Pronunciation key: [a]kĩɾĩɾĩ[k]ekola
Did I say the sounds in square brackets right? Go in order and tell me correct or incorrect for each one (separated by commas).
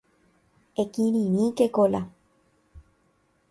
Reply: incorrect, correct